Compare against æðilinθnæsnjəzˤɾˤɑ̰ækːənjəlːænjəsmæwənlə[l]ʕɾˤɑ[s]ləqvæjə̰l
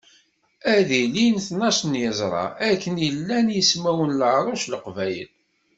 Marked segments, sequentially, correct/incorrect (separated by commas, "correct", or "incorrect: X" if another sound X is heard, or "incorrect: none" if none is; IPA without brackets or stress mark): incorrect: none, incorrect: ʃ